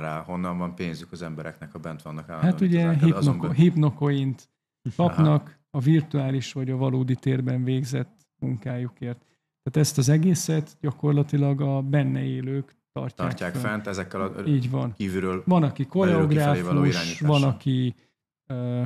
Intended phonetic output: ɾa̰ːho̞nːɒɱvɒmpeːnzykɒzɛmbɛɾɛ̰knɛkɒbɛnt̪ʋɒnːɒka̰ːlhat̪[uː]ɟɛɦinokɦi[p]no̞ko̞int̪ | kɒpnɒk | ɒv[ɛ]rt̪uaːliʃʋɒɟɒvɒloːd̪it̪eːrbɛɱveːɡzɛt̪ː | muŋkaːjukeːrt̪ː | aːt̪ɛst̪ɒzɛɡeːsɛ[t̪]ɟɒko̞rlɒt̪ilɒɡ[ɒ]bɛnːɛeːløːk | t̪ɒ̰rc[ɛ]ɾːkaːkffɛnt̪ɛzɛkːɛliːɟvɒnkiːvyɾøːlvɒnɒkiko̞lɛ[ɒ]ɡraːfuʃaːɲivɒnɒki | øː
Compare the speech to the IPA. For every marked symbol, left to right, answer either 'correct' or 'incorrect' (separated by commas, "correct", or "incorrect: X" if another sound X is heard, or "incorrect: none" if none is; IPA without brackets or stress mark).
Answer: incorrect: u, correct, incorrect: i, correct, correct, incorrect: a, incorrect: o